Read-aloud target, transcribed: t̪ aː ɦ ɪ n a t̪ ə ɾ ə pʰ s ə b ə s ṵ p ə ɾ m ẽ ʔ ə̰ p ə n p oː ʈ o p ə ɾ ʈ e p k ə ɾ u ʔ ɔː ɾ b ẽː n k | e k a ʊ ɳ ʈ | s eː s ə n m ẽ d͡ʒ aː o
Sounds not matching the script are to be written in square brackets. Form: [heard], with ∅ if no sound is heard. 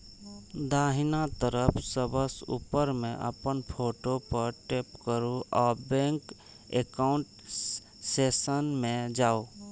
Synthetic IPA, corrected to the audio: [d̪] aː ɦ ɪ n a t̪ ə ɾ ə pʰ s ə b ə s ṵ p ə ɾ m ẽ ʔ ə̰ p ə n [pʰ] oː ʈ o p ə ɾ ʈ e p k ə ɾ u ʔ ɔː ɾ b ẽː [ŋ] k | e k a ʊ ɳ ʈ | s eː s ə n m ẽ d͡ʒ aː o